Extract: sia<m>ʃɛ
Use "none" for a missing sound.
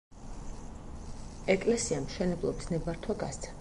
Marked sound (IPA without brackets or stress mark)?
m